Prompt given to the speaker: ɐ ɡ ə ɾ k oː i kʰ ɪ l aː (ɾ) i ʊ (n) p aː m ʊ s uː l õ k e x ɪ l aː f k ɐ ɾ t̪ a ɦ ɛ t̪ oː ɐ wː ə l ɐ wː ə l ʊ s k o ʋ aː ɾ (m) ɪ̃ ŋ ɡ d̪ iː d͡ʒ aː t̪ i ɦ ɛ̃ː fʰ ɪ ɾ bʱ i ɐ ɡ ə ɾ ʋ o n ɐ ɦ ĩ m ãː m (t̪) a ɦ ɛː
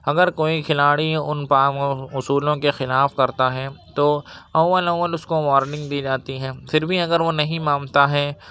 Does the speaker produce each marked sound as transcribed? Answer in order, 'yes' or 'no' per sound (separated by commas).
no, yes, no, yes